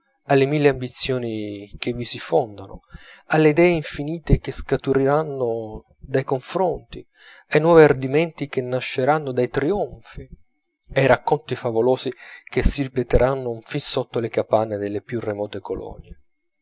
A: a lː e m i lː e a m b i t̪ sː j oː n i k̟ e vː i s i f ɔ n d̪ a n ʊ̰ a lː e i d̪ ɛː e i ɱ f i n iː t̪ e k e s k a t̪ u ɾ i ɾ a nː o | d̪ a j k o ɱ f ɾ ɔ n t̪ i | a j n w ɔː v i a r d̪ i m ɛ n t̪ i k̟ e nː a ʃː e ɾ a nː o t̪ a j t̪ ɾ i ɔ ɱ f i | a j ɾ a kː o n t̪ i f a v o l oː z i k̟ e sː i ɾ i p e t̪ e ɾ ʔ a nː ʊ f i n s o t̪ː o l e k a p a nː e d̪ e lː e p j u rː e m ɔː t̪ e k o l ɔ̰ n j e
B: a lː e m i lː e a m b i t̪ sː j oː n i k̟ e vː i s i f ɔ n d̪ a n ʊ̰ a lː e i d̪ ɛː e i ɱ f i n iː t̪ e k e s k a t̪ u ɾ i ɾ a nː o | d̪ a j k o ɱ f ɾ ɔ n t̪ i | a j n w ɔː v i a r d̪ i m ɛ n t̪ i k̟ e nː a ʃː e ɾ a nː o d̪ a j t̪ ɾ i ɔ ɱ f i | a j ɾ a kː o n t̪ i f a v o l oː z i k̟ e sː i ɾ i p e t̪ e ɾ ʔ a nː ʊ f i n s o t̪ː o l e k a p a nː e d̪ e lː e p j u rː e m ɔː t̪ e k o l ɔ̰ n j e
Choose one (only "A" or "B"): B